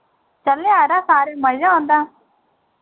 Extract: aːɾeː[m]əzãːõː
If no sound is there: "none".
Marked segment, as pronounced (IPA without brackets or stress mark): m